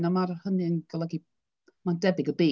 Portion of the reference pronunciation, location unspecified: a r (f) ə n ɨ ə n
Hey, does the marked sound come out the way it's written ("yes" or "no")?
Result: no